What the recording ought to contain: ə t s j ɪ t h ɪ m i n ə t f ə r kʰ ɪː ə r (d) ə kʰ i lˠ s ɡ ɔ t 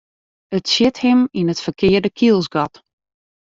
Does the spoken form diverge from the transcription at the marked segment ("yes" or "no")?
no